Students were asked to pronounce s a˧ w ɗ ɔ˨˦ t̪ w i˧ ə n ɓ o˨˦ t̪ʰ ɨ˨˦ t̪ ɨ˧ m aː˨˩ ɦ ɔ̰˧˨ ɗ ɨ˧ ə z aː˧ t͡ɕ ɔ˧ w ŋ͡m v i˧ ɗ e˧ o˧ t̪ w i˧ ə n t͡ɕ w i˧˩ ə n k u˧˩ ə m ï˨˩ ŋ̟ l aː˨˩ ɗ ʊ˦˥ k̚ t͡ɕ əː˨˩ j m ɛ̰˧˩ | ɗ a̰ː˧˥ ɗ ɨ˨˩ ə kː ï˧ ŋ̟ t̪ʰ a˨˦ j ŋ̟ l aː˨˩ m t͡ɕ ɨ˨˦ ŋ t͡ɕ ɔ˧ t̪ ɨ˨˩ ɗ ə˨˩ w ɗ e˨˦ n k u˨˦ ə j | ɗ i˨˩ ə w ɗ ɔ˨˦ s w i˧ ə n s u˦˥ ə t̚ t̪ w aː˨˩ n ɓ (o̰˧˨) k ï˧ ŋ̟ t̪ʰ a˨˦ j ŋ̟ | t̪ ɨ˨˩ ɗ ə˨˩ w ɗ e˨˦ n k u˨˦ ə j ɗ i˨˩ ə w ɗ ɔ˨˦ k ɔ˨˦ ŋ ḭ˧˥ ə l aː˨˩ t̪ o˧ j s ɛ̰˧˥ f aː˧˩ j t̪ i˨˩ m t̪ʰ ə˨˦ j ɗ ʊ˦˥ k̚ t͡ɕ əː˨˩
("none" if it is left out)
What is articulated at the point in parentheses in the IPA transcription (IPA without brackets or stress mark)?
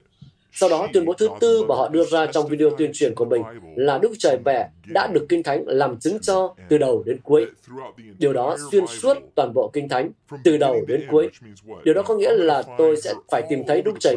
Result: o̰˧˨